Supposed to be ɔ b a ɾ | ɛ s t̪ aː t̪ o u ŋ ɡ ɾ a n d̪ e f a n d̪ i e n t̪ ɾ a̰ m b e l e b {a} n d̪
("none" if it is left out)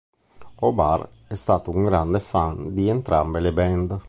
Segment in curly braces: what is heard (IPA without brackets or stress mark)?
ɛ